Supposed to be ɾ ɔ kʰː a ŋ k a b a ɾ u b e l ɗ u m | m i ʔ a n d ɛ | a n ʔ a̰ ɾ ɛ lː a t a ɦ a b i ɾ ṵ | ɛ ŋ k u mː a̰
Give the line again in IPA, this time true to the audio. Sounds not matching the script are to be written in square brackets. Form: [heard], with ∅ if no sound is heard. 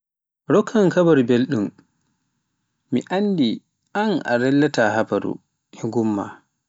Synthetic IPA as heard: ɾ ɔ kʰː a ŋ k a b a ɾ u b e l ɗ u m | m i ʔ a n d [i] | a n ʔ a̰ ɾ ɛ lː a t a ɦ a b [a] ɾ ṵ | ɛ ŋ [ɡ] u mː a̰